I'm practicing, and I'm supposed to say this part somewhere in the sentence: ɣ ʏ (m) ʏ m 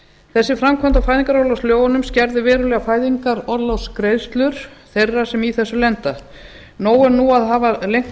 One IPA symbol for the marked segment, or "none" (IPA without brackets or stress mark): n